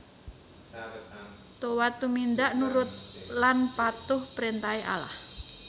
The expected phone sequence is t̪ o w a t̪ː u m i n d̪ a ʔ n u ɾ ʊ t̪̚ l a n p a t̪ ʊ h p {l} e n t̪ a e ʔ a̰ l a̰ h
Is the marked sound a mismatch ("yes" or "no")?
yes